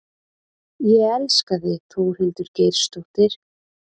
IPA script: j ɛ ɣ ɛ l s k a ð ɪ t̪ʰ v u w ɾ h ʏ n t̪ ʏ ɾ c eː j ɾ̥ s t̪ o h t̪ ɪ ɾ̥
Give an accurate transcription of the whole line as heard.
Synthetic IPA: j ɛ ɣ ɛ l s k a ð ɪ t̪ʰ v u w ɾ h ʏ n t̪ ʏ ɾ c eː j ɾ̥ s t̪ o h t̪ ɪ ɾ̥